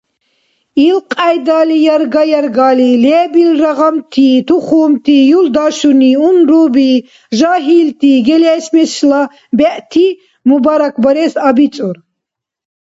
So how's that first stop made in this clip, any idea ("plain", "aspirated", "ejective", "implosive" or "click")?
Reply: ejective